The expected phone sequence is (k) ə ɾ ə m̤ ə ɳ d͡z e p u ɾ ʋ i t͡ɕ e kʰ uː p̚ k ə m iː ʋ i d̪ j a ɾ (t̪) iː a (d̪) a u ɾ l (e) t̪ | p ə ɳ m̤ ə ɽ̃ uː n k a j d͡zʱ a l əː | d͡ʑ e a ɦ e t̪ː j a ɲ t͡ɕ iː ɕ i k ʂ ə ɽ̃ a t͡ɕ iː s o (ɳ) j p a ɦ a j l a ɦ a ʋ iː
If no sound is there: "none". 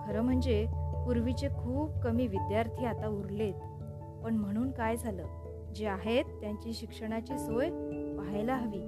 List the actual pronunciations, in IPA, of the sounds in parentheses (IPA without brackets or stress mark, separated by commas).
kʰ, t̪ʰ, t̪, e, none